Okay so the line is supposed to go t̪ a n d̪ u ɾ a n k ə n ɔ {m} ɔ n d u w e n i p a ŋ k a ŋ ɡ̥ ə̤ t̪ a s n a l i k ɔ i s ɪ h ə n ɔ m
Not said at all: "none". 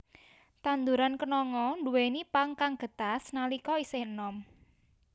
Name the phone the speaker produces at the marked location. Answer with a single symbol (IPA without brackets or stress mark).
ŋ